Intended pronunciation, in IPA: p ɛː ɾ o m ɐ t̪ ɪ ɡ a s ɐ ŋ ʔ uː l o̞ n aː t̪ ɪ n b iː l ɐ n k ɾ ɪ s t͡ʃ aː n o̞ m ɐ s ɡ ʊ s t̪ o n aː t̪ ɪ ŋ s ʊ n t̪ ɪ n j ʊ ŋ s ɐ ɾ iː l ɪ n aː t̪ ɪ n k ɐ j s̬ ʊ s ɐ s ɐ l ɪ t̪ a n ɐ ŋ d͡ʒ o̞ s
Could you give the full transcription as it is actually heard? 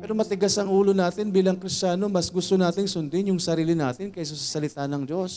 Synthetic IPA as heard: p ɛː ɾ o m ɐ t̪ ɪ ɡ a s ɐ ŋ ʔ uː l o̞ n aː t̪ ɪ n b iː l ɐ ŋ k ɾ ɪ s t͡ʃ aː n o̞ m ɐ s ɡ ʊ s t̪ o n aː t̪ ɪ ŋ s ʊ n d̪ ɪ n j ʊ ŋ s ɐ ɾ iː l ɪ n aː t̪ ɪ n k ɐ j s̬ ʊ s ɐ s ɐ l ɪ t̪ a n ɐ ŋ d͡ʒ o̞ s